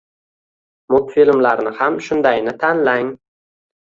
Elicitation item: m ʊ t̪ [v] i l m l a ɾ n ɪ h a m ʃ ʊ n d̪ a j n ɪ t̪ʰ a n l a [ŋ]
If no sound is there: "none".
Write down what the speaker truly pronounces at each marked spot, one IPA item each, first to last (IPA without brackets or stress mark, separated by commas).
f, ŋ